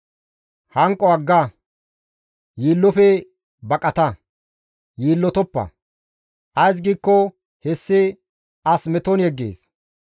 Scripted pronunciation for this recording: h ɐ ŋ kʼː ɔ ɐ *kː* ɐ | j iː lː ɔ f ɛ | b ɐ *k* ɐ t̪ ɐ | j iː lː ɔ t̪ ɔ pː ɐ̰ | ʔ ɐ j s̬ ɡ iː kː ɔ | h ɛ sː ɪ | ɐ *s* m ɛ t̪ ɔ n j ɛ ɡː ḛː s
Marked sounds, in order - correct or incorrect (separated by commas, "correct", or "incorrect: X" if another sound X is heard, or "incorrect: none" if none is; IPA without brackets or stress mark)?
incorrect: ɡː, incorrect: kʼ, correct